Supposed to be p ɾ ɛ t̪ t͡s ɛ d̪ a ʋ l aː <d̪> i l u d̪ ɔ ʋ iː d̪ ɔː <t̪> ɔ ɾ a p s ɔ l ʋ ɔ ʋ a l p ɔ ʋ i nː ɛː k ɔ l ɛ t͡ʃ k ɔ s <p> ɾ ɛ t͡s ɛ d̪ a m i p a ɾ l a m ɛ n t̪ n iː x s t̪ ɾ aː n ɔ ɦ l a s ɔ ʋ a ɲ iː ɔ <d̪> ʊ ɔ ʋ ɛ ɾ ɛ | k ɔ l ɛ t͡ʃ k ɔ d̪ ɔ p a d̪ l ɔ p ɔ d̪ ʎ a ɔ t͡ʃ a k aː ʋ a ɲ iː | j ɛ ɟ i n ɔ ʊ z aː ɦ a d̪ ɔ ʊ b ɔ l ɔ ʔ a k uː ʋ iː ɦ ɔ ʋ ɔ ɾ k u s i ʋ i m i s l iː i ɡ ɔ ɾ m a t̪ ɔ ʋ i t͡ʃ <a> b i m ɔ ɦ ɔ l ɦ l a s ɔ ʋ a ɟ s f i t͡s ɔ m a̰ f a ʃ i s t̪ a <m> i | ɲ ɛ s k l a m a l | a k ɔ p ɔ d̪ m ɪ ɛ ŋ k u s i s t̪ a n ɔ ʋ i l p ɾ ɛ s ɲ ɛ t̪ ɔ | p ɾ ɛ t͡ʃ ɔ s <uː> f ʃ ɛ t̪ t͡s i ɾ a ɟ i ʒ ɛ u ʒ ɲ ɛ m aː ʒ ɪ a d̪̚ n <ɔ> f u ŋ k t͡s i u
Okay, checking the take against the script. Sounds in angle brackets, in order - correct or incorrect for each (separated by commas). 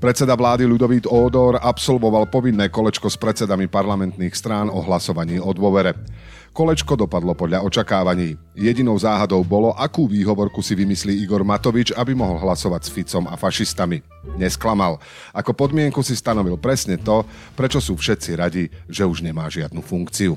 correct, incorrect, correct, correct, correct, correct, correct, incorrect